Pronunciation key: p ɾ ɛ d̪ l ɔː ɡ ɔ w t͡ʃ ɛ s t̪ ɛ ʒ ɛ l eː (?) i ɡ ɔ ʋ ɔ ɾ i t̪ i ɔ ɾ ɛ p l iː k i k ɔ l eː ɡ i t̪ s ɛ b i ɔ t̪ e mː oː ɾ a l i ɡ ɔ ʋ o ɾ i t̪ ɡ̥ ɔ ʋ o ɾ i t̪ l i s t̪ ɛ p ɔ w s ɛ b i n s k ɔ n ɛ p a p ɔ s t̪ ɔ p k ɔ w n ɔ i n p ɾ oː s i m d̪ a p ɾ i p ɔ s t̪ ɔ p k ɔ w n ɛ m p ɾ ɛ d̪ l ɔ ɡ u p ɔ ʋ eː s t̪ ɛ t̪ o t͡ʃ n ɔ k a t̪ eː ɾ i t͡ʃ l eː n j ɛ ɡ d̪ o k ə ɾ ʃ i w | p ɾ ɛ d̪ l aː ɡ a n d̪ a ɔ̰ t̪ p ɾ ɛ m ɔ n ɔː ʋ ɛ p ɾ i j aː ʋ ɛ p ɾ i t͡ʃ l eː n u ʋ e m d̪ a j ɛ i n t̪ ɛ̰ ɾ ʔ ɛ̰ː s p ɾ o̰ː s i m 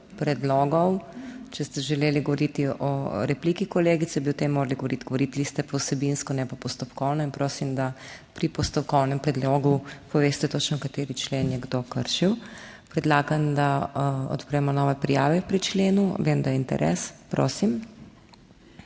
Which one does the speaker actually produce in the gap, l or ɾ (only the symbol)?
l